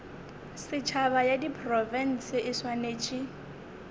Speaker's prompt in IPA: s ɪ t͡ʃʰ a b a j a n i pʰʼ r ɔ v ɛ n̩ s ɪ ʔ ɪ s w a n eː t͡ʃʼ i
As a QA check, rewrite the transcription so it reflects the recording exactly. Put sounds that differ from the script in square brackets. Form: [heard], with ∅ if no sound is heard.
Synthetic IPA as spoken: s ɪ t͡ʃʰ a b a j a [d] i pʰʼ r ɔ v ɛ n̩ s ɪ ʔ ɪ s w a n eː t͡ʃʼ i